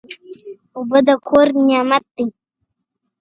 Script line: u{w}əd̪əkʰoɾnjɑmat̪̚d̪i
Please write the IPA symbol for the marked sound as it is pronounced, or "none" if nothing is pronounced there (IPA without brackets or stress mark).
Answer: b